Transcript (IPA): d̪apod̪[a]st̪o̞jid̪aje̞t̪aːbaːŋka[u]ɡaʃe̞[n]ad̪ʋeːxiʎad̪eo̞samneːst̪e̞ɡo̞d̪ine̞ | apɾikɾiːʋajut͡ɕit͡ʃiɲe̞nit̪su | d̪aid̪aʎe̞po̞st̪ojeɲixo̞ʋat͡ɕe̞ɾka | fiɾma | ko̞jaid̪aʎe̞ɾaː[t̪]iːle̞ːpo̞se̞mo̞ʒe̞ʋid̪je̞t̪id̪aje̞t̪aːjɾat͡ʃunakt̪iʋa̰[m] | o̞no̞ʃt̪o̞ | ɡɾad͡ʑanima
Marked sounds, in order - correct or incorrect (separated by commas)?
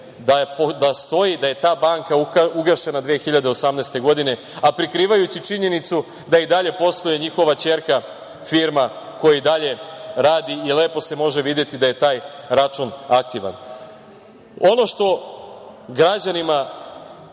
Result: correct, correct, correct, incorrect, incorrect